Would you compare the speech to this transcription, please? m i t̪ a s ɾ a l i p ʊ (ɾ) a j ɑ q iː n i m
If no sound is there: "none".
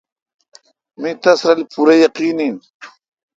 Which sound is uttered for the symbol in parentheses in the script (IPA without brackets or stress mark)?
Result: ɾ